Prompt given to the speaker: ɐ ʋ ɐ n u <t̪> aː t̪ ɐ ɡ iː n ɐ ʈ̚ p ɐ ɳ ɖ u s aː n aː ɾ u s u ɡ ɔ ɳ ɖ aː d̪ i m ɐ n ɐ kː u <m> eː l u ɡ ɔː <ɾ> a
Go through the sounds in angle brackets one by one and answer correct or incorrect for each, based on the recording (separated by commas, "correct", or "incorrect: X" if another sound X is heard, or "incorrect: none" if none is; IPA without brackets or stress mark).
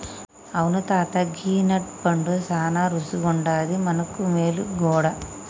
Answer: correct, correct, incorrect: ɽ